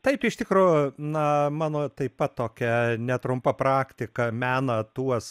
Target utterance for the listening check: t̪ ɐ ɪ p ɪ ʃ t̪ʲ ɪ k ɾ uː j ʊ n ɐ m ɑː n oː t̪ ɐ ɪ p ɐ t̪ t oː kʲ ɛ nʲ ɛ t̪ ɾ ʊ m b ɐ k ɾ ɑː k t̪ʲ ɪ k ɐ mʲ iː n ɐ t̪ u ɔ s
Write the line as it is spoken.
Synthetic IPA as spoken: t̪ ɐ ɪ p ɪ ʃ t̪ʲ ɪ k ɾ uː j ʊ n ɐ m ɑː n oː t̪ ɐ ɪ p ɐ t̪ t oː kʲ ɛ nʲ ɛ t̪ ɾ ʊ m p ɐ p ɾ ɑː k t̪ʲ ɪ k ɐ mʲ æː n ɐ t̪ u ɔ s